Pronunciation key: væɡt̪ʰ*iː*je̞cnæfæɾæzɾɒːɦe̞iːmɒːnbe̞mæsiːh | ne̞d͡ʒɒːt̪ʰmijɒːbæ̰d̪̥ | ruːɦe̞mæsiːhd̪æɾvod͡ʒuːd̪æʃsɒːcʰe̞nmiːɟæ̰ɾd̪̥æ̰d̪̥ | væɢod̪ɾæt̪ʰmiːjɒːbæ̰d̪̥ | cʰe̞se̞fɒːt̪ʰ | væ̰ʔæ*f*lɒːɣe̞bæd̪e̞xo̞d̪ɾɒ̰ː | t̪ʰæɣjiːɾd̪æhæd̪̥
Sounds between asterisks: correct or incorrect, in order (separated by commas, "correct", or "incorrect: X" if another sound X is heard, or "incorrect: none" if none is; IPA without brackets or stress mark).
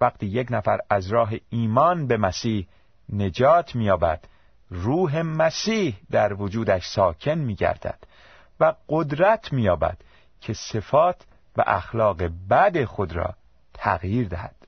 correct, incorrect: x